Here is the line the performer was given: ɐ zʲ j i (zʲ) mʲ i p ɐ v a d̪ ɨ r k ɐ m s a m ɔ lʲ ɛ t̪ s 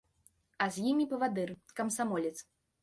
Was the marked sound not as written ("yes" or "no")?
yes